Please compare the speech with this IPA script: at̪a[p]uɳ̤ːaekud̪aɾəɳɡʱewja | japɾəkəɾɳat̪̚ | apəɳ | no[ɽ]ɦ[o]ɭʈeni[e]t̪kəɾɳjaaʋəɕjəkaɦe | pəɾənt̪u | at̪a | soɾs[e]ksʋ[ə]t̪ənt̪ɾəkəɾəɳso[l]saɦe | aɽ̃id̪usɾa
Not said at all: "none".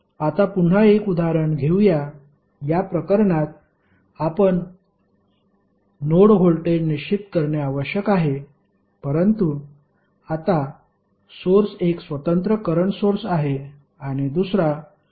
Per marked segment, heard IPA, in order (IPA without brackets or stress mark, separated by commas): p, ɽ, o, i, e, ə, ɾ